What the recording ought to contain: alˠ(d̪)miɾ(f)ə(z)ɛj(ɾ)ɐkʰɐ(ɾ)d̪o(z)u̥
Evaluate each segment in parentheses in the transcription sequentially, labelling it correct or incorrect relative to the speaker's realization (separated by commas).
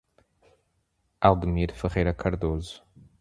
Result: correct, correct, incorrect, correct, correct, correct